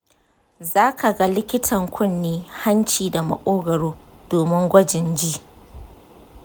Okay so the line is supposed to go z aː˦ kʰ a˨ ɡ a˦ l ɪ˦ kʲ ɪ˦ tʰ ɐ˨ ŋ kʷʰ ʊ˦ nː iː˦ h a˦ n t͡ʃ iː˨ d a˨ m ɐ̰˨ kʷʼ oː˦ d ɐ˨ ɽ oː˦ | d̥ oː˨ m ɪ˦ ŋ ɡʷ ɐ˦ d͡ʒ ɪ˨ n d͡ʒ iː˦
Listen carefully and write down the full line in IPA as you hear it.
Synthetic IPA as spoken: z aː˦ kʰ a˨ ɡ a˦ l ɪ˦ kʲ ɪ˦ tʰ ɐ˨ ŋ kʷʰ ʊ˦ nː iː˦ h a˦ n t͡ʃ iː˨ d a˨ m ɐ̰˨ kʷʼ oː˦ ɡ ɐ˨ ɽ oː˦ | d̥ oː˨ m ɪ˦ ŋ ɡʷ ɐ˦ d͡ʒ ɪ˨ n d͡ʒ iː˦